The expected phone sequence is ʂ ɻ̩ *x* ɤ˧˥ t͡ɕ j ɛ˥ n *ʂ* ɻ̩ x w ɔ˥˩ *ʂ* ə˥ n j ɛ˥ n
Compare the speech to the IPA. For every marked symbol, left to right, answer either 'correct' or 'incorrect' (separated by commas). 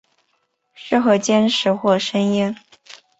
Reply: correct, correct, correct